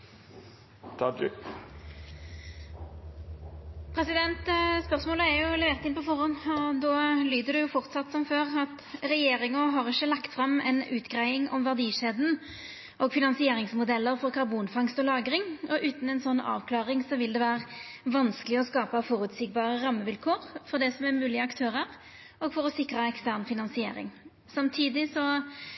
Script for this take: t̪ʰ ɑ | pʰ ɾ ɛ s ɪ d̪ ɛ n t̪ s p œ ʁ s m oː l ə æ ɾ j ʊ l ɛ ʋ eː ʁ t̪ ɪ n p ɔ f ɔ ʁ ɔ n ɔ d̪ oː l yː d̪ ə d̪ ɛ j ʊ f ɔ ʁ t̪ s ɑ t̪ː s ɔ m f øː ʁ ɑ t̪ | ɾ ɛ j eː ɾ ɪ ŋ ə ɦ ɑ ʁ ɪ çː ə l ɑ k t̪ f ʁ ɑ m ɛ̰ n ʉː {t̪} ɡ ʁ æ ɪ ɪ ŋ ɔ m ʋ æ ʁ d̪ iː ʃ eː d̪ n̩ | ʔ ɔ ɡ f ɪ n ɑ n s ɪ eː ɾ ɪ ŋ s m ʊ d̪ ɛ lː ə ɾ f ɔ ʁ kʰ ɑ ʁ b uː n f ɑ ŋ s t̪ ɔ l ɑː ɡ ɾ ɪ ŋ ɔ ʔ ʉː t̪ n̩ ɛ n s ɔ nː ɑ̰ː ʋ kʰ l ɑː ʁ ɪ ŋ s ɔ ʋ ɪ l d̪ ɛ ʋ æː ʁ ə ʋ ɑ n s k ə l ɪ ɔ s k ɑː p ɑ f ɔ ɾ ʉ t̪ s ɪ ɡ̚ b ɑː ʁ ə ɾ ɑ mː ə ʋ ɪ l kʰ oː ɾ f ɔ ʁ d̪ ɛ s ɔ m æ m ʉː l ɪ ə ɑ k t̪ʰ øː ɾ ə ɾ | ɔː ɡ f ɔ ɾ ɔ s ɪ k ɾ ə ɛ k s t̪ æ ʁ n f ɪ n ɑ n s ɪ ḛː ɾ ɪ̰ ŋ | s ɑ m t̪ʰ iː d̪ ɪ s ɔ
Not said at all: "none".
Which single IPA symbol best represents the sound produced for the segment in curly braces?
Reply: t̪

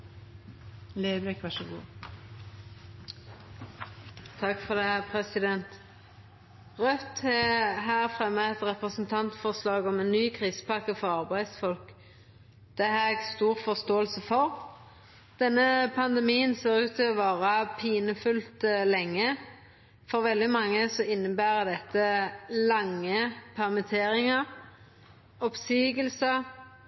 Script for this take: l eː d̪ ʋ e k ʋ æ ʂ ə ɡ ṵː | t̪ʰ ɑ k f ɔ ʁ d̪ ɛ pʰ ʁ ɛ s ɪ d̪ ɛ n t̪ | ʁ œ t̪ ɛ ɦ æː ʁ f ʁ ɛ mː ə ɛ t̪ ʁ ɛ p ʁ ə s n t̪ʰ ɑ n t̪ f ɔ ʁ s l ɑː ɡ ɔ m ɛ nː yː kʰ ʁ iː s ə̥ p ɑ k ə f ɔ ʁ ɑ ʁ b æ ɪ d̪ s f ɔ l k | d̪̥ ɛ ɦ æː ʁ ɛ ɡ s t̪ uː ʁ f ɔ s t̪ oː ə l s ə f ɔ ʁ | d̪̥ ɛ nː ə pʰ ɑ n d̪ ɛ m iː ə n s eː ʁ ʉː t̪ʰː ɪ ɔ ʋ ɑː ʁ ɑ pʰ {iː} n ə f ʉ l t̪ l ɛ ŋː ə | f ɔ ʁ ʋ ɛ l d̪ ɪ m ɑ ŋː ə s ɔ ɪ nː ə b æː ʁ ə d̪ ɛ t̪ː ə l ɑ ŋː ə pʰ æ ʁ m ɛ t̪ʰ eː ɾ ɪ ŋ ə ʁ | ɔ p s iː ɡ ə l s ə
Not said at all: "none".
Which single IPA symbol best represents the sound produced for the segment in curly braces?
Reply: iː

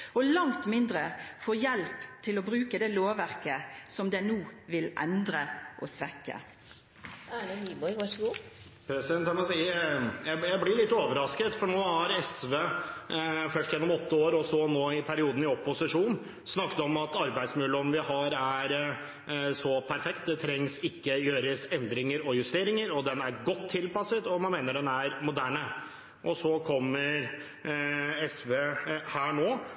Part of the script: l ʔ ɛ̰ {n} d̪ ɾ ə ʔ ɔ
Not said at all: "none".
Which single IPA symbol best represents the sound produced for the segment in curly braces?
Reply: n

